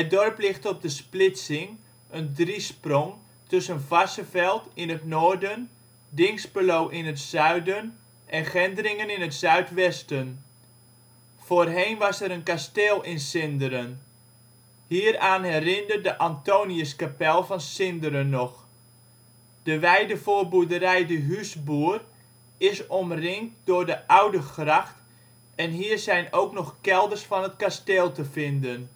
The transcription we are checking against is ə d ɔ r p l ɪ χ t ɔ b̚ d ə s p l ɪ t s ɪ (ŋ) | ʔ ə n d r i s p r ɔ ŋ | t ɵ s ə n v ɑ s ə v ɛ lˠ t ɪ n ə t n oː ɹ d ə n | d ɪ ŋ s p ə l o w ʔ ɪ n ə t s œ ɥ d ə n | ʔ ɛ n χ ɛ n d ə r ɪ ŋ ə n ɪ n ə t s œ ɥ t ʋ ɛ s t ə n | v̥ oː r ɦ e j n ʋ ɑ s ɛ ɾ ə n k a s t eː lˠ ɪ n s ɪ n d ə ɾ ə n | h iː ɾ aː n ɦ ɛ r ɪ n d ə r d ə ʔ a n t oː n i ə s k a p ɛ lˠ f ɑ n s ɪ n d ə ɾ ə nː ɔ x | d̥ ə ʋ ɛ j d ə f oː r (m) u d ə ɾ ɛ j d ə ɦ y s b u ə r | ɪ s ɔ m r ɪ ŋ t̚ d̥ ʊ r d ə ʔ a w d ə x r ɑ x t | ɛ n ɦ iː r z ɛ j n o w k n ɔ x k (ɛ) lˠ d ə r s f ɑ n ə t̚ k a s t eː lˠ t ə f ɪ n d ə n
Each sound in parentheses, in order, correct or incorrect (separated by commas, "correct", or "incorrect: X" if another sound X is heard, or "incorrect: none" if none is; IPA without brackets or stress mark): correct, incorrect: b, correct